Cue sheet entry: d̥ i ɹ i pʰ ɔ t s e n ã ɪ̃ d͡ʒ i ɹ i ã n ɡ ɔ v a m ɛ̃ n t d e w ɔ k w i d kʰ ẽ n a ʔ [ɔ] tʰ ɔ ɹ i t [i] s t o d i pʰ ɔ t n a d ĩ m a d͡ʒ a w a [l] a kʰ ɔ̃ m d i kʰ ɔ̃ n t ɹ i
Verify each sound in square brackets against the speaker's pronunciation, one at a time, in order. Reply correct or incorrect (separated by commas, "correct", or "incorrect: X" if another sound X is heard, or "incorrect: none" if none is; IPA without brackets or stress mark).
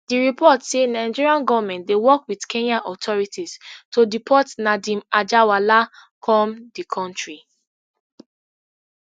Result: correct, correct, correct